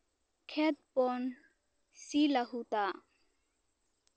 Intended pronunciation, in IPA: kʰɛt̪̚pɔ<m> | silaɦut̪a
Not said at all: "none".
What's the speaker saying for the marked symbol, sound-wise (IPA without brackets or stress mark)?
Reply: n